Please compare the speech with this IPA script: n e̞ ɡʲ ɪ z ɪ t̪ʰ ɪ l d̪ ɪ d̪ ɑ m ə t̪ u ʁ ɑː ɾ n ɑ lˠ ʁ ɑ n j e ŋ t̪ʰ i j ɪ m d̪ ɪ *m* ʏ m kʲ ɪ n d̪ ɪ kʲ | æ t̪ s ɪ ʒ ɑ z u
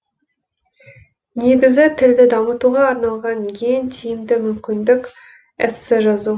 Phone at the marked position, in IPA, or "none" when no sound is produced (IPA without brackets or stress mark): m